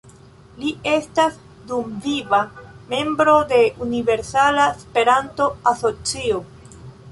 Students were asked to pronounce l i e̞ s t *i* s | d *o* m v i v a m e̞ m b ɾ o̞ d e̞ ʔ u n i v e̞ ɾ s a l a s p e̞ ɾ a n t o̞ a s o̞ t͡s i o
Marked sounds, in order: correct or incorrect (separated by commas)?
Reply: incorrect, incorrect